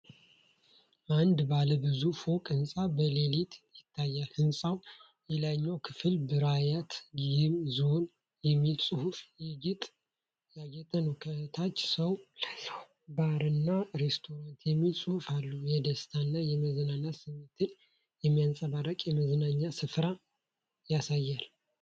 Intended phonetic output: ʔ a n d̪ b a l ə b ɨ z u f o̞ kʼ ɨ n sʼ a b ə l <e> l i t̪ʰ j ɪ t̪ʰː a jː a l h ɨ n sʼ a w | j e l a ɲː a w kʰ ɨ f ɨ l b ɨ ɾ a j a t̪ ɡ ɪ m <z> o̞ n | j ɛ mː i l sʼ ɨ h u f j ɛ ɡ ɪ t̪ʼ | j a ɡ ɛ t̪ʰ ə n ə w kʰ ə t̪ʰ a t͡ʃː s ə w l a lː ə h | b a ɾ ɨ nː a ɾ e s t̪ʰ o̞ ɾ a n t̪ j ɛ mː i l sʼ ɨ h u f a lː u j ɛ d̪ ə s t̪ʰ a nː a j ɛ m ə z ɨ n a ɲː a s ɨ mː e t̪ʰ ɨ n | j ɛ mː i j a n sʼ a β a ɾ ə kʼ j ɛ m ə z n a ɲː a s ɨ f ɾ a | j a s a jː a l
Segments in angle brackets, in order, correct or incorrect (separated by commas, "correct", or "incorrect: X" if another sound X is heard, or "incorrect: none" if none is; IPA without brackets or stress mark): correct, correct